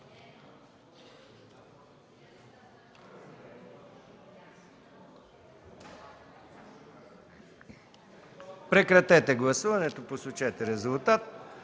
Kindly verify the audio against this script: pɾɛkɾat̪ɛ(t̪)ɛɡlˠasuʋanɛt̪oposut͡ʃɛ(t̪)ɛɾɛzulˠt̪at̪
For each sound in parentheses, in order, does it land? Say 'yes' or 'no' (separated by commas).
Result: yes, yes